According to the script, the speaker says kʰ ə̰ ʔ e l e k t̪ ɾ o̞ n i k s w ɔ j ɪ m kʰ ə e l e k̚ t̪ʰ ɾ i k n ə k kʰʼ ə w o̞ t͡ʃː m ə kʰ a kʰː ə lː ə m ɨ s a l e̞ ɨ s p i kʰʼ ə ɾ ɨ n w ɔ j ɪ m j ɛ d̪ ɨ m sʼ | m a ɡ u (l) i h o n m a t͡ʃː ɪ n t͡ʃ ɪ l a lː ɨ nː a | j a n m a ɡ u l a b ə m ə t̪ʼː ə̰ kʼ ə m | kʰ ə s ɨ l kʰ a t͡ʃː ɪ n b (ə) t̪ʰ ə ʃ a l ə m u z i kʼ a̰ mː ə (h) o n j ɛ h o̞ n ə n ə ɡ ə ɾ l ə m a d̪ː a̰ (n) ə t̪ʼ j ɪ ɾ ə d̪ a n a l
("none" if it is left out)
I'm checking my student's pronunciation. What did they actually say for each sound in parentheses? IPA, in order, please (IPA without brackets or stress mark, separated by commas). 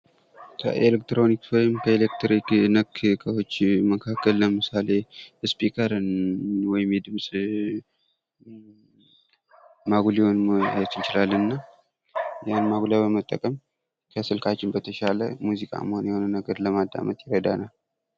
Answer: l, ə, h, m